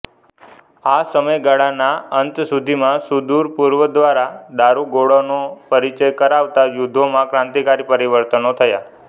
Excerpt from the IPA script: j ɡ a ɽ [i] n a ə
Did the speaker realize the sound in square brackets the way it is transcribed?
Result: no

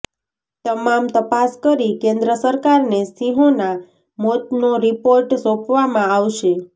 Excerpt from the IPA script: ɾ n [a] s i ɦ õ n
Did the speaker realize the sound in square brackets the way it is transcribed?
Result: no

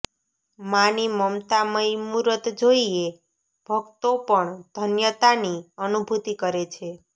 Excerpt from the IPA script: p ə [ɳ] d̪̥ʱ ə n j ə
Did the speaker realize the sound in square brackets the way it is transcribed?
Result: yes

